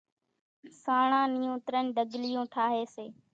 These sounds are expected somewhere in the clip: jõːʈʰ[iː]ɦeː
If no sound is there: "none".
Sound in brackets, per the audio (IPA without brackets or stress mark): aː